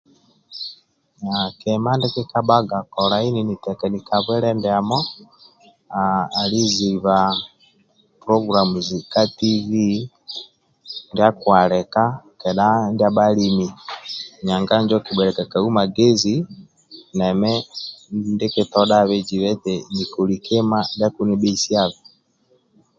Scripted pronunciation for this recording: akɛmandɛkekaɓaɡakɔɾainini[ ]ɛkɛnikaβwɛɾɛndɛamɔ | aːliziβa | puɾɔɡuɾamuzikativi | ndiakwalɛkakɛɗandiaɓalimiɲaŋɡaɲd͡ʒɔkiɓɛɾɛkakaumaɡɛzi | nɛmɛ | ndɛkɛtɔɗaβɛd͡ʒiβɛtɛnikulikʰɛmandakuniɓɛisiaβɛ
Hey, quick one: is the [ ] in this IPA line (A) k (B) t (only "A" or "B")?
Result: B